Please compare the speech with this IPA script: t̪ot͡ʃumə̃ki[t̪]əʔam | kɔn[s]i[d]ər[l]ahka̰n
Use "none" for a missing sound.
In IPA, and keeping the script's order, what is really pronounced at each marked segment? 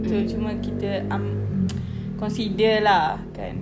t̪, s, d, l

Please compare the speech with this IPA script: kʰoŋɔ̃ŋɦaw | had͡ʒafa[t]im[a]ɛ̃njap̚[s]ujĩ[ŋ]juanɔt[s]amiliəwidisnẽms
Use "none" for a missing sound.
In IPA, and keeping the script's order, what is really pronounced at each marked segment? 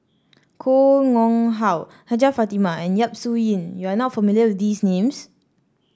t, a, s, n, f

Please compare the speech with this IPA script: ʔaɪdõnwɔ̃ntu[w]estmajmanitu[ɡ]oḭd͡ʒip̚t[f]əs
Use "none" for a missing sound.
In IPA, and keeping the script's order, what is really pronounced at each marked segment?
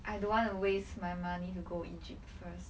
w, ɡ, f

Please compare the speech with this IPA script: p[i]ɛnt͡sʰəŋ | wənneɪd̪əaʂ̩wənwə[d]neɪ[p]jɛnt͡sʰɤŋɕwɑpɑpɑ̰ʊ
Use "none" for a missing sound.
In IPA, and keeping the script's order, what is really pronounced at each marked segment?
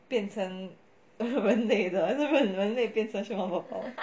j, n, p

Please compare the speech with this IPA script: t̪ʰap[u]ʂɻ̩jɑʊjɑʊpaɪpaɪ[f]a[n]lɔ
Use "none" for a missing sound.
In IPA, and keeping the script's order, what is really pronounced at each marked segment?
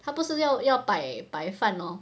u, f, n

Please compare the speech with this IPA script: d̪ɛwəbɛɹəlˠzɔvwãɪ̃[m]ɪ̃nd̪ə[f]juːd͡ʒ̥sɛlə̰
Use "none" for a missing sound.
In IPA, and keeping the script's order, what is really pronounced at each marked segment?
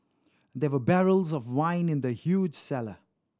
n, h

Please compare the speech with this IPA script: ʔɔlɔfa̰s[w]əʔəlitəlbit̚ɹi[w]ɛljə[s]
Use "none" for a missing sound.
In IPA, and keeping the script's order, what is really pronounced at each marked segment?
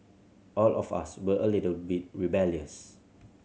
w, b, s

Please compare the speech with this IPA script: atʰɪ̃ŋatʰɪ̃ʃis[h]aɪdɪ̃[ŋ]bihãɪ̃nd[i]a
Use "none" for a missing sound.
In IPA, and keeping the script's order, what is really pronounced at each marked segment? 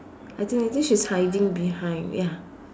h, ŋ, j

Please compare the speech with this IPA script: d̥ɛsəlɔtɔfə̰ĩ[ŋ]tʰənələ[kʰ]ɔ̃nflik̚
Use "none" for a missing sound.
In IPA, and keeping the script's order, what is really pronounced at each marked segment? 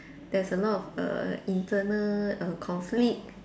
n, kʰ

